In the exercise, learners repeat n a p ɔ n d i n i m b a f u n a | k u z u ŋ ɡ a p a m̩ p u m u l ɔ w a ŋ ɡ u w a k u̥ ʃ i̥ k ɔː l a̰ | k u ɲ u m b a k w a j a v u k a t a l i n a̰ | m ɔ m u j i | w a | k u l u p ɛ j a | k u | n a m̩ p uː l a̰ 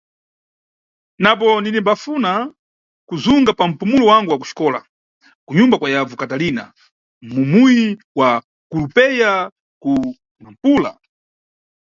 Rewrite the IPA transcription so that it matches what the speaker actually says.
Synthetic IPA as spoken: n a p ɔ n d i n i m b a f u n a | k u z u ŋ ɡ a p a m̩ p u m u l ɔ w a ŋ ɡ u w a k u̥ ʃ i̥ k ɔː l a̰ | k u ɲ u m b a k w a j a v u k a t a l i n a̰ | m u m u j i | w a | k u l u p ɛ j a | k u | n a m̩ p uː l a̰